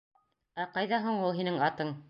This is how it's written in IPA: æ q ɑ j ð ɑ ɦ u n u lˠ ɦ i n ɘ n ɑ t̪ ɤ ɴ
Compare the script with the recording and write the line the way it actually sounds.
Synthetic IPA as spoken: æ q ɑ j ð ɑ ɦ u ɴ u lˠ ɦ i n ɘ ŋ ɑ t̪ ɤ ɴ